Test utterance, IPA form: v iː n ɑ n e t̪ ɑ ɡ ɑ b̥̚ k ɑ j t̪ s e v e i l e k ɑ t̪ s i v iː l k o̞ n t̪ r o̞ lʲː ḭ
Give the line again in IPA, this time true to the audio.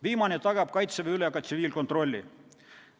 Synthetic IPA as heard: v iː m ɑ n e t̪ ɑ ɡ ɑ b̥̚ k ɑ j t̪ s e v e y l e k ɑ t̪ s i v iː l k o̞ n t̪ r o̞ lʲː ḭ